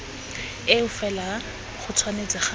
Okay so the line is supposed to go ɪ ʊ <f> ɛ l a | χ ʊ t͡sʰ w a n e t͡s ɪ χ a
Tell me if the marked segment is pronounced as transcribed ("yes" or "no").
yes